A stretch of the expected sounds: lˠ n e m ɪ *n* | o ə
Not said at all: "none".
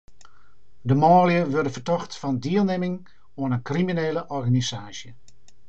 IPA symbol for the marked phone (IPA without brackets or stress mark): ŋ